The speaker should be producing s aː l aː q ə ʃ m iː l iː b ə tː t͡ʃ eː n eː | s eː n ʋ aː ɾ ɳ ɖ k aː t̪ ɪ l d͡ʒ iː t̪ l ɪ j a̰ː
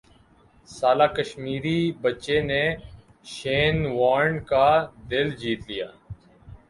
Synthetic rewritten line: s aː l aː k ə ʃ m iː ɾ iː b ə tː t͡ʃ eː n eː | ʃ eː n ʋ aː ɾ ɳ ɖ k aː d̪ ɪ l d͡ʒ iː t̪ l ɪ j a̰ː